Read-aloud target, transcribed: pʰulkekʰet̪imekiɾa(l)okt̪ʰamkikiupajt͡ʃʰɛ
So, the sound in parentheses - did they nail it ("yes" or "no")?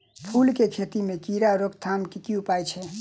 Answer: no